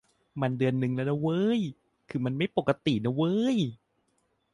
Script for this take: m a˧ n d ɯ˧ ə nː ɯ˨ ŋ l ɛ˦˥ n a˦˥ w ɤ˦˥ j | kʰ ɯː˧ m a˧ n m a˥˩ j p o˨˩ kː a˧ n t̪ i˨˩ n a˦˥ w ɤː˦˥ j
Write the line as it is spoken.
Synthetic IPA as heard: m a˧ n d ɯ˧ ə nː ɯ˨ ŋ l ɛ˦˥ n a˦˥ w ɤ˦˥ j | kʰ ɯː˧ m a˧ n m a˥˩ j p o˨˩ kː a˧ t̪ i˨˩ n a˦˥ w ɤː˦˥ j